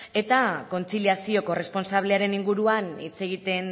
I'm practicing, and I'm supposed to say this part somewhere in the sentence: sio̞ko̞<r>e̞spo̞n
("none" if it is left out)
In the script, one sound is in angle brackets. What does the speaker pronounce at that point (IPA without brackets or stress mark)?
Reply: r